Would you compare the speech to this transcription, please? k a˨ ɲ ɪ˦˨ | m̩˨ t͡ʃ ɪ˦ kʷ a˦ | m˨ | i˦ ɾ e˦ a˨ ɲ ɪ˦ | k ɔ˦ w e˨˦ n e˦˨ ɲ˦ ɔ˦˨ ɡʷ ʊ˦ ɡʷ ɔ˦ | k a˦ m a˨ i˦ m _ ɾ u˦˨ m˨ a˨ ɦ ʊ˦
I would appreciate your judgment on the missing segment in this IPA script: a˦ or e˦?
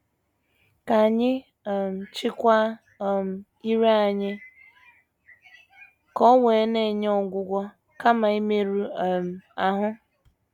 e˦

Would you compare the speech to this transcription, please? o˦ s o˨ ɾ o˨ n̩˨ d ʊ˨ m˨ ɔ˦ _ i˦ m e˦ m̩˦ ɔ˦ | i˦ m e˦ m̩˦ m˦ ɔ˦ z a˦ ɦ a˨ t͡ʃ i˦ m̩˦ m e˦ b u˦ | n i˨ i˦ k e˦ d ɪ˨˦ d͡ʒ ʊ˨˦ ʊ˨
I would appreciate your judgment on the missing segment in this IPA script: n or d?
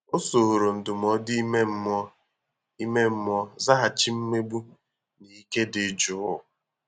d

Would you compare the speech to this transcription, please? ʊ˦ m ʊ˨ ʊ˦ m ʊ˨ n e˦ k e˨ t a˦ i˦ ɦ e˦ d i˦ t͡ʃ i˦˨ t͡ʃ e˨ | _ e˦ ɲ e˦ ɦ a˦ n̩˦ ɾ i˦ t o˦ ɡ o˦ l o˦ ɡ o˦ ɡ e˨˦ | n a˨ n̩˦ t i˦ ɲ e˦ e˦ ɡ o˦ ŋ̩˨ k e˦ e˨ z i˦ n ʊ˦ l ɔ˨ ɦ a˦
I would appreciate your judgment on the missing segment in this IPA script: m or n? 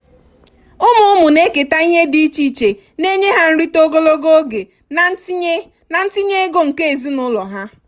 n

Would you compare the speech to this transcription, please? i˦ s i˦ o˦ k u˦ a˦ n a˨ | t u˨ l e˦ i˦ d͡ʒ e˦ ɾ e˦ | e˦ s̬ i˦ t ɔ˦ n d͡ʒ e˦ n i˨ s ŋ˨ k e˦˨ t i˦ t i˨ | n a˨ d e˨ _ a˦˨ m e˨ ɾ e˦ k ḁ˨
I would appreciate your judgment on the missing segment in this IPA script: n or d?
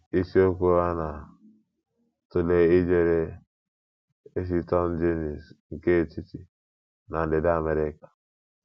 d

